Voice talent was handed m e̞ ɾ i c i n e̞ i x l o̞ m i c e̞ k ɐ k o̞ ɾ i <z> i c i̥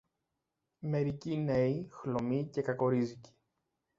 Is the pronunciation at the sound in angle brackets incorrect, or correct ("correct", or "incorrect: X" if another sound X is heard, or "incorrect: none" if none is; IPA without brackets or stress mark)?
correct